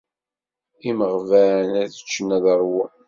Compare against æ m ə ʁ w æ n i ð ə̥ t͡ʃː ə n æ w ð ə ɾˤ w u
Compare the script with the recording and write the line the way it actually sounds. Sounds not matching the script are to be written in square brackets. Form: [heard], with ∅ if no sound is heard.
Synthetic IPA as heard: [i] m ə ʁ [v] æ n [æ] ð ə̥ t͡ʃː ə n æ [∅] ð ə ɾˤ w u

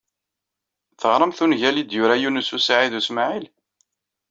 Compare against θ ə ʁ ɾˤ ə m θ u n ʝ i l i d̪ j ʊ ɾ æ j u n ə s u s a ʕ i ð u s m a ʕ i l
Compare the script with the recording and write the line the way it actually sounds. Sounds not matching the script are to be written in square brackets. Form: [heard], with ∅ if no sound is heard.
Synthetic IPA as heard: θ ə ʁ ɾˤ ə m θ u n ʝ [æ] l i d̪ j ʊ ɾ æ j u n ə s u s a ʕ i ð u s m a ʕ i l

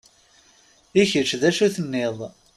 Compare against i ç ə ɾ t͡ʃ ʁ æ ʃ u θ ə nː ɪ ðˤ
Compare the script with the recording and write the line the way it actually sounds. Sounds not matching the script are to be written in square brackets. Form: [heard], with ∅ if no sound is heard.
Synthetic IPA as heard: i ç ə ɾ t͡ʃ [ð] æ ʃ u θ ə nː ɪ ðˤ

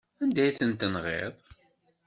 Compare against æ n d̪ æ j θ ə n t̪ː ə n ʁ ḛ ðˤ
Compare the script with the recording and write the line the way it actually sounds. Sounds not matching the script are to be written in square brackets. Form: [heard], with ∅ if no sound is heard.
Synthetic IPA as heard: æ n d̪ æ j θ ə n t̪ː ə n ʁ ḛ ðˤ

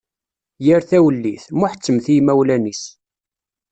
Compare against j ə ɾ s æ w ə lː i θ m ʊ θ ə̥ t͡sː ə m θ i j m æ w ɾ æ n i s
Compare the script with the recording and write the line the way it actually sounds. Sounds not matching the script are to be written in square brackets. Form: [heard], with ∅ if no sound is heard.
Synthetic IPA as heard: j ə ɾ [θ] æ w ə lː i θ m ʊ [ħ] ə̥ t͡sː ə m θ i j m æ w [l] æ n i s

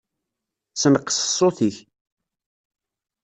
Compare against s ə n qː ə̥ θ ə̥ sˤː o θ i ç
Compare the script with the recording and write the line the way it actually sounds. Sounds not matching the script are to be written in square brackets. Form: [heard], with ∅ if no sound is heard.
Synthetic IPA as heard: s ə n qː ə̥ [s] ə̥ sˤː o θ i ç

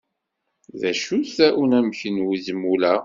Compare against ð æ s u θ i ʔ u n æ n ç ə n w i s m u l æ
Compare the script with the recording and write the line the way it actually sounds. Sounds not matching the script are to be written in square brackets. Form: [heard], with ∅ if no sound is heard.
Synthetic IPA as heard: ð æ [ʃ] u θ [æ] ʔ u n æ [m] ç ə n w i [z] m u l æ

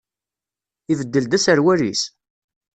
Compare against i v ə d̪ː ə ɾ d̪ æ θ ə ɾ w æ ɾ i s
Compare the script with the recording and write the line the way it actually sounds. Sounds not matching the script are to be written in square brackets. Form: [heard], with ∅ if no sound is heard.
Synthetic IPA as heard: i v ə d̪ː ə [l] d̪ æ [s] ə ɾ w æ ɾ i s

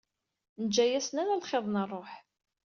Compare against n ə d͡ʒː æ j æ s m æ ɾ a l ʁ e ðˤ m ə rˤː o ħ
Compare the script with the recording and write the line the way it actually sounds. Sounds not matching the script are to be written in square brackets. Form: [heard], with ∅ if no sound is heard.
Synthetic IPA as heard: n ə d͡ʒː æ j æ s [n] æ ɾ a l [χ] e ðˤ [n] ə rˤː o ħ

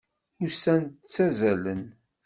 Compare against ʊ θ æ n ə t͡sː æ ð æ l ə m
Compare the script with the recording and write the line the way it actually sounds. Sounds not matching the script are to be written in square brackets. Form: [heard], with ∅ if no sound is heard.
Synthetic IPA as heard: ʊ [s] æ n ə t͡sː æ [z] æ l ə [n]

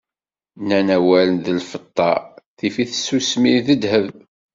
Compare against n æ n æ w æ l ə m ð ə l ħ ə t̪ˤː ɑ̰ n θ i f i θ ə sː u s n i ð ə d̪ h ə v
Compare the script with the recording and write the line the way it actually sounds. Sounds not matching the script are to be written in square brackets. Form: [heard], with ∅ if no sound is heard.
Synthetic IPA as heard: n æ n æ w æ l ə [n] ð ə l [f] ə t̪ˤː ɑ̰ [∅] θ i f i θ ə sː u s [m] i ð ə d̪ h ə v

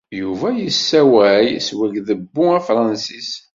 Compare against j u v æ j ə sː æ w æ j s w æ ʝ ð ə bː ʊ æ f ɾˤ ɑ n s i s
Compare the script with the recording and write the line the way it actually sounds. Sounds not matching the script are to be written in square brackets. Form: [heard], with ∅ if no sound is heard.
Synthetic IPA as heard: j u v æ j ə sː æ w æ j s w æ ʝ ð ə bː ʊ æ f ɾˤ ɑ n s i s

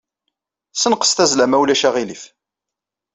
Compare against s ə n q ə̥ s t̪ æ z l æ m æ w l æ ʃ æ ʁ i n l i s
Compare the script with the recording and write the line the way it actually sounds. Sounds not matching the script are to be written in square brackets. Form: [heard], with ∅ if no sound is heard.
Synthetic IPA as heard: s ə n q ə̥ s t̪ æ z l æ m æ w l æ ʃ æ ʁ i [∅] l i [f]

